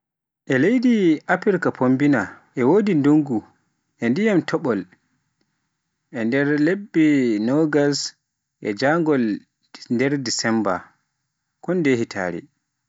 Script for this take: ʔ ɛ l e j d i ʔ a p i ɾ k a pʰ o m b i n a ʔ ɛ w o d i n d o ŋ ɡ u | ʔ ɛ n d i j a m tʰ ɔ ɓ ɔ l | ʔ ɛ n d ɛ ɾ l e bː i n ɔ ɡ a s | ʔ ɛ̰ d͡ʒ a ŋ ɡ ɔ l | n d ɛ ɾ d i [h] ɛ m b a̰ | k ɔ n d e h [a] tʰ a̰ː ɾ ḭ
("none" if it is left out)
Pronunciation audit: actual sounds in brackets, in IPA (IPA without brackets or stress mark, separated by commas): s, i